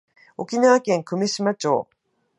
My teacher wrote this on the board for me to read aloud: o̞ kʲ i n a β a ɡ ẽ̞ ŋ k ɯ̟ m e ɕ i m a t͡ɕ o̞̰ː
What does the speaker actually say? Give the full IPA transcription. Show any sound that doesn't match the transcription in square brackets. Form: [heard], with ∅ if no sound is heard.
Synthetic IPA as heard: o̞ kʲ i n a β a [k] ẽ̞ ŋ k ɯ̟ m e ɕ i m a t͡ɕ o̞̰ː